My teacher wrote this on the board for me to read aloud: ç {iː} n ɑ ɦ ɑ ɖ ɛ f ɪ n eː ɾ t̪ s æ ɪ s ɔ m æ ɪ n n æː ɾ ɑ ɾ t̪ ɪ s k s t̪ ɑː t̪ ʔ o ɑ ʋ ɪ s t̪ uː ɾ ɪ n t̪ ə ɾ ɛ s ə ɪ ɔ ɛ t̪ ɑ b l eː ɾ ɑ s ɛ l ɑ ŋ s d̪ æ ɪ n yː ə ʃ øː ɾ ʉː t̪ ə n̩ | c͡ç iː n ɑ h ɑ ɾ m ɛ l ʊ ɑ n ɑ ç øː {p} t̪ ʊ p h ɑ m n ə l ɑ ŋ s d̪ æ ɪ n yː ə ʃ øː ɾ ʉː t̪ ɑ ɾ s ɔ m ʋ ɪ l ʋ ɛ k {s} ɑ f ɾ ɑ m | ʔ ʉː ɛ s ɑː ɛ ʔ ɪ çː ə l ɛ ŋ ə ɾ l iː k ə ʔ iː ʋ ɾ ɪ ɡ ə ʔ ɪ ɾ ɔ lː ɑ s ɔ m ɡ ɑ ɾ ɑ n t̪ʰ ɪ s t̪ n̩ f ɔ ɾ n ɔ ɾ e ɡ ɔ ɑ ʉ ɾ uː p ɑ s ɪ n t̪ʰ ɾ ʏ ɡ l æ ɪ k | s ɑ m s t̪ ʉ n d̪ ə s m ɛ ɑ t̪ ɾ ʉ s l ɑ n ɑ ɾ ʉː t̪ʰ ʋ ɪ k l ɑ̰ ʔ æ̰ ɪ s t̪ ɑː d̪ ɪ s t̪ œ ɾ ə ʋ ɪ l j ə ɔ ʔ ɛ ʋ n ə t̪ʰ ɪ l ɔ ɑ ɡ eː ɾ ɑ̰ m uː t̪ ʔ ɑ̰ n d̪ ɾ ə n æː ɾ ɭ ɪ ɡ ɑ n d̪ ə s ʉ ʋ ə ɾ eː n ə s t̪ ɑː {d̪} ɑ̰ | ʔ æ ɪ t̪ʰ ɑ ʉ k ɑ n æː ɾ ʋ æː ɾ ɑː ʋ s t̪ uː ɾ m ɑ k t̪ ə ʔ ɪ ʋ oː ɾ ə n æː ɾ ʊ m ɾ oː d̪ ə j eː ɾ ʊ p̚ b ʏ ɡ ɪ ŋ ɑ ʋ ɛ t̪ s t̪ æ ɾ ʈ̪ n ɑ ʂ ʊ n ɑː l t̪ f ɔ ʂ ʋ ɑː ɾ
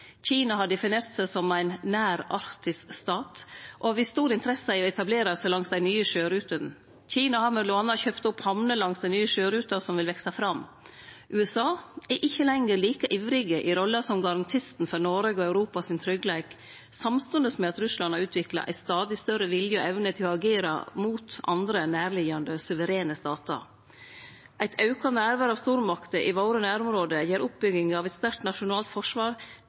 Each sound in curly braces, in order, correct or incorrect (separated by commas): correct, correct, correct, incorrect